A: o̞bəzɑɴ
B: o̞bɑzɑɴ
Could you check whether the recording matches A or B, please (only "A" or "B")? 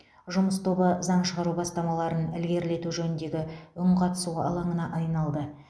A